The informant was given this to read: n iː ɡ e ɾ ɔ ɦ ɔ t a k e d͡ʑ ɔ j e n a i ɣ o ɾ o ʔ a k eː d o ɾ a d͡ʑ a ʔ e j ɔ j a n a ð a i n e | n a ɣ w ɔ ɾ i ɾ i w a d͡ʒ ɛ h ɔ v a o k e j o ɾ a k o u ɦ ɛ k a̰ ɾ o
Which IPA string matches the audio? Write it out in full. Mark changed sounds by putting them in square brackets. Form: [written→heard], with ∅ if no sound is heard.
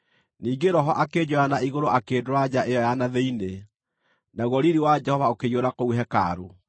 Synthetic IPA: n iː ɡ e ɾ ɔ ɦ ɔ [t→ʔ] a k e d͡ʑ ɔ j [e→a] n a i ɣ o ɾ o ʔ a k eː d o ɾ a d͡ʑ a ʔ e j ɔ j a n a ð [a→e] i n e | n a ɣ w ɔ ɾ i ɾ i w a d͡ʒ ɛ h ɔ v a o k e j o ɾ a k o u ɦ ɛ k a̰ ɾ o